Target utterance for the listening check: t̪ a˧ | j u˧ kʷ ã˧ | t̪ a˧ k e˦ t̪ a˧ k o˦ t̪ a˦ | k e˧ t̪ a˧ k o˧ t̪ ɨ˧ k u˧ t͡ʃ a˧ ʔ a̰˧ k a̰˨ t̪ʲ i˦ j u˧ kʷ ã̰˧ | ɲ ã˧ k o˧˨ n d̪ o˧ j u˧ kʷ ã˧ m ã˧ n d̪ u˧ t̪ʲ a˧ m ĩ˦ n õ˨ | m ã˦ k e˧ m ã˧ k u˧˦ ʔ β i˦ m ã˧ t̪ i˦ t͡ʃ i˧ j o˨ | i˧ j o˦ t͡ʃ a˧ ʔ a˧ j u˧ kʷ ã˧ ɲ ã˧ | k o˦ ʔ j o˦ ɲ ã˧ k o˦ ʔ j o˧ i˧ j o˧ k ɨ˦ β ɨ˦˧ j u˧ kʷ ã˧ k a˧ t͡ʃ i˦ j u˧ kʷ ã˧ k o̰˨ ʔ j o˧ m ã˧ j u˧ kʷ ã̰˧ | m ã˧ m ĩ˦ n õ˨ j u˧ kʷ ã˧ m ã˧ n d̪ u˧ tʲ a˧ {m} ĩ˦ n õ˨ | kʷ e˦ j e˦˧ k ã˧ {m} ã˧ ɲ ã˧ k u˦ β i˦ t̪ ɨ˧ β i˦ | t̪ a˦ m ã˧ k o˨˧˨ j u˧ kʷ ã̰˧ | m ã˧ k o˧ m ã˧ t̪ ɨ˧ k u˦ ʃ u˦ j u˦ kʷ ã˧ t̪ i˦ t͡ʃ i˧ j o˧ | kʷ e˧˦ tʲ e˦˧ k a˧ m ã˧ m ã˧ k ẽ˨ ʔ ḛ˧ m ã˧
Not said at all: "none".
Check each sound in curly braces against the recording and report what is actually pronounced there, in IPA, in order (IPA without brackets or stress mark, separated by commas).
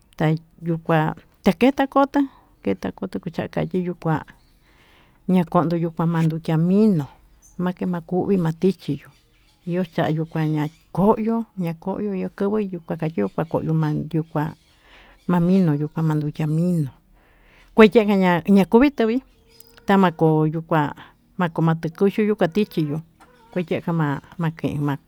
m, ɲ